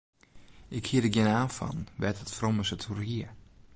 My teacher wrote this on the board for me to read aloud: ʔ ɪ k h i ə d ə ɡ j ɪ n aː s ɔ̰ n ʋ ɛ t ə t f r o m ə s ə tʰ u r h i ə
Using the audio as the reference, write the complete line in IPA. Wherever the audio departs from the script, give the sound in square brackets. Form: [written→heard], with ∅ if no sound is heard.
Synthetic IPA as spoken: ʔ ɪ k h i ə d ə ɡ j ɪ n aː [s→f] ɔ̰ n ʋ ɛ t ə t f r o m ə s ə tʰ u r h i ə

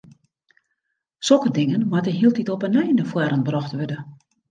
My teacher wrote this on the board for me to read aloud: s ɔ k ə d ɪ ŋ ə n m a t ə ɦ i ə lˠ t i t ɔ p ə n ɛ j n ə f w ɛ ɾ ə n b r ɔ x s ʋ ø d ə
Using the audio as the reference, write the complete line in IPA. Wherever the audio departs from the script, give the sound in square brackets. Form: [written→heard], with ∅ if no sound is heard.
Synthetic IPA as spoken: s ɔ k ə d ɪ ŋ ə n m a t ə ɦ i ə lˠ t i t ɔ p ə n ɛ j n ə f w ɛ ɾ ə n b r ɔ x [s→t] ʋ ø d ə

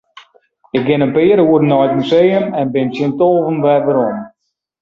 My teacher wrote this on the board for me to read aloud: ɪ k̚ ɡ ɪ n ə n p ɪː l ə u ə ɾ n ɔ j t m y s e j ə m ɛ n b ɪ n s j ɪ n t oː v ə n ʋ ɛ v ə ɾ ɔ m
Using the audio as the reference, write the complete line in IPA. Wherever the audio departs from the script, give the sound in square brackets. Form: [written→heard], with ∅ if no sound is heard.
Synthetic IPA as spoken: ɪ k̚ ɡ ɪ n ə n p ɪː [l→ɾ] ə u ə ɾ n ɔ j t m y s e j ə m ɛ n b ɪ n s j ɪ n t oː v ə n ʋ ɛ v ə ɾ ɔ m

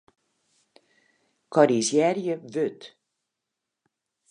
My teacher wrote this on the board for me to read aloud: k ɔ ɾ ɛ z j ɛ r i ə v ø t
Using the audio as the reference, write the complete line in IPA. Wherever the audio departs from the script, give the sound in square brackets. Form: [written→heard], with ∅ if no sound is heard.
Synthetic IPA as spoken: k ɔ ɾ [ɛ→i] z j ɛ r [i→j] ə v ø t

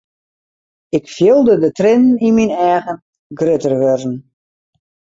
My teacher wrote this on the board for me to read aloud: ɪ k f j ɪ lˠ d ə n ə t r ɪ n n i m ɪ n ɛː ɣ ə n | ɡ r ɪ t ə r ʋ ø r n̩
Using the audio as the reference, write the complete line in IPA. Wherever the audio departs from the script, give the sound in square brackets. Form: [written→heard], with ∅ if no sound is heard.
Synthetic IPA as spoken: ɪ k f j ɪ lˠ d ə [n→d] ə t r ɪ n n i m [ɪ→i] n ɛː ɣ ə n | ɡ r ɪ t ə r ʋ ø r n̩

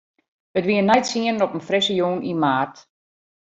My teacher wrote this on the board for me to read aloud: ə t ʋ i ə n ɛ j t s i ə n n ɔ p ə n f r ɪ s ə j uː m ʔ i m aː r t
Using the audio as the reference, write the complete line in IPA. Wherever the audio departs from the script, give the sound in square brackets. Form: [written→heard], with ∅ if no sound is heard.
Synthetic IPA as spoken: ə t ʋ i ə n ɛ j t s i ə n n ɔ p ə n f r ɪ s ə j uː [m→n] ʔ i m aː r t

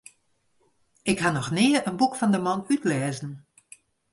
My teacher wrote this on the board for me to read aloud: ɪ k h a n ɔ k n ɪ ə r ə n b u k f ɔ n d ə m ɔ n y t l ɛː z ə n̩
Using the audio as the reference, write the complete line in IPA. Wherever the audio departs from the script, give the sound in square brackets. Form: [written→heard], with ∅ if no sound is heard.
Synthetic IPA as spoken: ɪ k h a n ɔ [k→x] n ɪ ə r ə n b u k f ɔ n d ə m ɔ n y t l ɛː z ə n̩

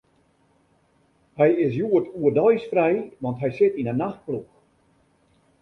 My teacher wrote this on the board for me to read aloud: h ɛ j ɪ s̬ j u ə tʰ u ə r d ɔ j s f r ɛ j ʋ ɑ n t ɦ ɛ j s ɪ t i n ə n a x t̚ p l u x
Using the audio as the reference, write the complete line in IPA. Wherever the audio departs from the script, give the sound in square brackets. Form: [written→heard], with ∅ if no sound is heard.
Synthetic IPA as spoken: h ɛ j ɪ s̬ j u ə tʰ u ə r d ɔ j s f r ɛ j ʋ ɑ n t ɦ ɛ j s ɪ t i n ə n a x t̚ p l u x

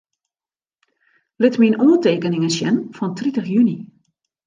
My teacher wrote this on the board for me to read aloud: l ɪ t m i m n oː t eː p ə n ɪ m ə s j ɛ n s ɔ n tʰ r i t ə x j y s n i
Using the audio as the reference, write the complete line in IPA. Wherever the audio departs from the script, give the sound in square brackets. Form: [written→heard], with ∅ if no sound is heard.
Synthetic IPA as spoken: l ɪ t m i [m→∅] n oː t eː [p→k] ə n ɪ [m→ŋ] ə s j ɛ n [s→f] ɔ n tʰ r i t ə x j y [s→∅] n i

